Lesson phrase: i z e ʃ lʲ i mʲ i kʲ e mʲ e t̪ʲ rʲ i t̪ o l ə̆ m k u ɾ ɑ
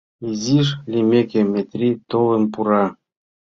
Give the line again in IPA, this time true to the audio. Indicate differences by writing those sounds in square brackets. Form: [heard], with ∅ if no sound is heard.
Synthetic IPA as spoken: i z [i] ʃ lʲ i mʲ [e] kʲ e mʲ e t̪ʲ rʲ i t̪ o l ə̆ m [p] u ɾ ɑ